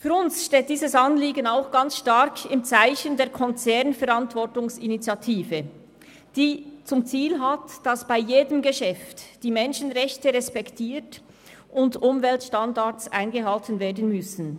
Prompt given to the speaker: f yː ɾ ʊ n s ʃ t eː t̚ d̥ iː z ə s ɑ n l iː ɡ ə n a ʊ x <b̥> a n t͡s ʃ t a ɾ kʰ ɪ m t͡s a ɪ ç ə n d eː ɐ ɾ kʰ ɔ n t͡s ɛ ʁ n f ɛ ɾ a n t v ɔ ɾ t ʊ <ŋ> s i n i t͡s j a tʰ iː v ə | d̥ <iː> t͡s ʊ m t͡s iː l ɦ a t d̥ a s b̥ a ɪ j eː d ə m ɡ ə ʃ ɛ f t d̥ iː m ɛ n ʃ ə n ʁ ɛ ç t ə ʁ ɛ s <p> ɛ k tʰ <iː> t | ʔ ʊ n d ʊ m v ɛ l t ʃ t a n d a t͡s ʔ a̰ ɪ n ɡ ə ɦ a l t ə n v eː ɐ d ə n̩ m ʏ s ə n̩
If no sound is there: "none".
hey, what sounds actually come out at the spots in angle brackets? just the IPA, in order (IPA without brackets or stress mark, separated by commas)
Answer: ɡ̥, ŋ, iː, p, iː